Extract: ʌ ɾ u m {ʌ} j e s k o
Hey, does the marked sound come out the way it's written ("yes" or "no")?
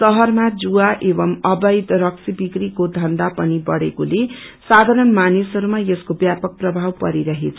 no